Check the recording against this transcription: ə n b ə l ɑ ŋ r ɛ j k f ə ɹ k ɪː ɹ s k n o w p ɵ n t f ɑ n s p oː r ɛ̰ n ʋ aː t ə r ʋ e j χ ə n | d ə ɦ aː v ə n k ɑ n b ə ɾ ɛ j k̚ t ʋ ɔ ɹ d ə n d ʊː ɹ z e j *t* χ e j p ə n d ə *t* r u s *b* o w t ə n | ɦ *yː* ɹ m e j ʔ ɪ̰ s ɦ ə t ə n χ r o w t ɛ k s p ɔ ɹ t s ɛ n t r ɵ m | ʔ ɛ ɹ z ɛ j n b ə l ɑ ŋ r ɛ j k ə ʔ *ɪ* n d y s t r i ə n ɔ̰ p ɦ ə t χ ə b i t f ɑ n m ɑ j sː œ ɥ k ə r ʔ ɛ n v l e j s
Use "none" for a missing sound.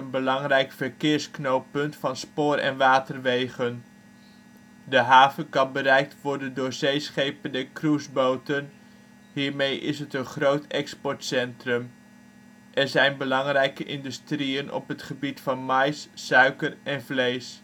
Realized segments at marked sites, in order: s, k, b, iː, ɪ

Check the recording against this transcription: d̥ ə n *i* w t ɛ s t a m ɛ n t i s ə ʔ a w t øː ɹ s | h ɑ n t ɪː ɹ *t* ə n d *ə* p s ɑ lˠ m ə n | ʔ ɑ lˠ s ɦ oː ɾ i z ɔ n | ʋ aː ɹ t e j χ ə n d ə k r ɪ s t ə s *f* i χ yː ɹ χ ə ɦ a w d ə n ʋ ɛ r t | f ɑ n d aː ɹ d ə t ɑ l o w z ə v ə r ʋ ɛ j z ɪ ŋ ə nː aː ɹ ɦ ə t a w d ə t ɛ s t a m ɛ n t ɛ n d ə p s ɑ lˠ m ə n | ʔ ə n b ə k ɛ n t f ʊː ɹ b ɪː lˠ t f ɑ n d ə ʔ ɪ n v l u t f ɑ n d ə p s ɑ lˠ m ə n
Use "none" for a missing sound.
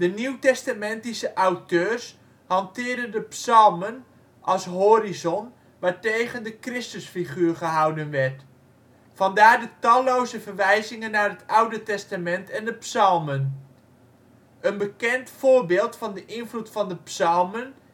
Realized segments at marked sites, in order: i, d, ə, f

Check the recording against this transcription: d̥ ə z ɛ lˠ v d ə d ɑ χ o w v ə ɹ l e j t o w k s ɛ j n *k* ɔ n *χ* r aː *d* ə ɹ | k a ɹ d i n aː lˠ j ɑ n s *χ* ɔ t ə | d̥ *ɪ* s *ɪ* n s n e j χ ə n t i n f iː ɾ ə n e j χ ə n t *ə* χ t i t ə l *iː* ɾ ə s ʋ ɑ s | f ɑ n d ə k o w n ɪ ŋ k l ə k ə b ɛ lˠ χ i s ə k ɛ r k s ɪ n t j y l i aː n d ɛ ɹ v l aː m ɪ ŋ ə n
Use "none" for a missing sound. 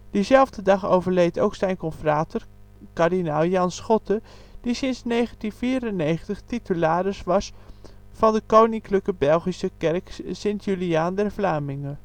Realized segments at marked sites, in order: k, f, t, χ, i, ɪ, ə, aː

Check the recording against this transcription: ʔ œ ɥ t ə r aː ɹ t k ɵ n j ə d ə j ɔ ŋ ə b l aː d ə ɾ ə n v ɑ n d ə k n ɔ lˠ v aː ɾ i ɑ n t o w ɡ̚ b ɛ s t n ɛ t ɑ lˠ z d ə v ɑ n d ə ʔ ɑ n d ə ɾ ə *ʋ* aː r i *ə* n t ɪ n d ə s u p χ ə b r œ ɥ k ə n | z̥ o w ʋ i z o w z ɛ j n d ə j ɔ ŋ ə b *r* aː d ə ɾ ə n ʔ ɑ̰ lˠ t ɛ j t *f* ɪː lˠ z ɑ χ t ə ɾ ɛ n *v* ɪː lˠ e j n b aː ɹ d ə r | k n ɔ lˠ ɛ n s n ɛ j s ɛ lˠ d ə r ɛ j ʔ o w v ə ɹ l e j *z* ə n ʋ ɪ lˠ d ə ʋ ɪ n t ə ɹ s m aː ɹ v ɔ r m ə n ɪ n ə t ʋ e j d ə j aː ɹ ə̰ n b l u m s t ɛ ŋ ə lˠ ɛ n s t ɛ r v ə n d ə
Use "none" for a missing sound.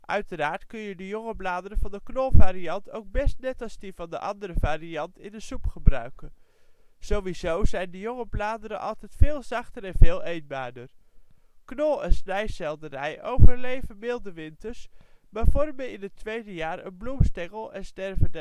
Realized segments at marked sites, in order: v, ɑ, l, f, v, v

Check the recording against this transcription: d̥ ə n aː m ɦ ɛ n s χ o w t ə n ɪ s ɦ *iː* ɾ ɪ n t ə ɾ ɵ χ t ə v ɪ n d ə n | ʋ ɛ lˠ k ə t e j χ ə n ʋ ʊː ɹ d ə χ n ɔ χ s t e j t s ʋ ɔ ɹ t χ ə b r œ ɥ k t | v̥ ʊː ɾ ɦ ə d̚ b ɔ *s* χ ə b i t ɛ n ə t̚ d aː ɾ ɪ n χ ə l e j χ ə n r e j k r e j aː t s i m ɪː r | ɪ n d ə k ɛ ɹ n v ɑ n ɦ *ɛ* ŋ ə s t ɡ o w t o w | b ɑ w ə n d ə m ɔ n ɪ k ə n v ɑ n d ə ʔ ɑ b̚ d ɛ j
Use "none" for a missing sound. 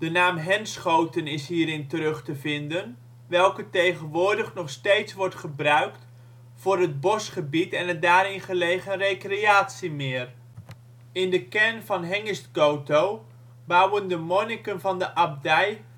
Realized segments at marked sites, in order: iː, s, ɛ

